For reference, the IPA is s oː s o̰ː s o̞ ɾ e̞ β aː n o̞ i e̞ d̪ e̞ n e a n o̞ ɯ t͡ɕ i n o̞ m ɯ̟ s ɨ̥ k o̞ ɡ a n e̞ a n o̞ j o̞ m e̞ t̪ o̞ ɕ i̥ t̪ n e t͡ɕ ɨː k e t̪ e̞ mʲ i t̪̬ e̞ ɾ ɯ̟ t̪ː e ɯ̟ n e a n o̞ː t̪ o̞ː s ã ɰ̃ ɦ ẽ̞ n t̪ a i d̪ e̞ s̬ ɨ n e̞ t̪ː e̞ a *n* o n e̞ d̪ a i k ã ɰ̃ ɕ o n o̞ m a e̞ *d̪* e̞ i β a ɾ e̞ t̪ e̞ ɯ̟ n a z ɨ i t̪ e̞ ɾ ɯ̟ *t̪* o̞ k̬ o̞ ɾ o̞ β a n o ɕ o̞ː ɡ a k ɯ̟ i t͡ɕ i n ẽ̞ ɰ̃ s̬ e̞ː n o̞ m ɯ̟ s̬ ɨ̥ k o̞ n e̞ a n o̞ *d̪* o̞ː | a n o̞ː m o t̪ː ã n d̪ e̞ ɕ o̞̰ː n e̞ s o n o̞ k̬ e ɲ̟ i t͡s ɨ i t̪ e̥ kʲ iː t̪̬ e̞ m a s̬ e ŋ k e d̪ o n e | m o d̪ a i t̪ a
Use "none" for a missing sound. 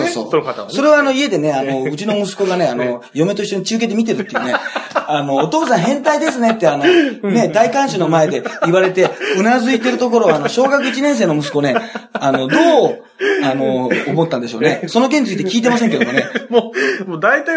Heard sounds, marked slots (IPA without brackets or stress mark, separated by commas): n, d̪, t̪, d̪